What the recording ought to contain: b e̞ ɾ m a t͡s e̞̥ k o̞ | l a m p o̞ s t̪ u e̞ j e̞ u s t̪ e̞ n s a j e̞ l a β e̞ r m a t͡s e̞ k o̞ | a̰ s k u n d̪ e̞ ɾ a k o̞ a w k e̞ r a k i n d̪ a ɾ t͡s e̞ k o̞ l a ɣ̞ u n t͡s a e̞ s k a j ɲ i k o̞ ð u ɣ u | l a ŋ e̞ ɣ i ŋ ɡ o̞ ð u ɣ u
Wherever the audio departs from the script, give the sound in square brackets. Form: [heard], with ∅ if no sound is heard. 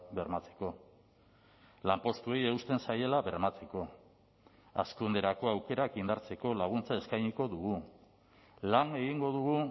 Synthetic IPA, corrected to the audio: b e̞ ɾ m a t͡s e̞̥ k o̞ | l a m p o̞ s t̪ u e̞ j e̞ u s t̪ e̞ n s a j e̞ l a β e̞ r m a t͡s e̞ k o̞ | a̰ s k u n d̪ e̞ ɾ a k o̞ a w k e̞ [ɾ] a k i n d̪ a ɾ t͡s e̞ k o̞ l a ɣ̞ u n t͡s a e̞ s k a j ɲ i k o̞ ð u ɣ u | l a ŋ e̞ ɣ i ŋ ɡ o̞ ð u ɣ u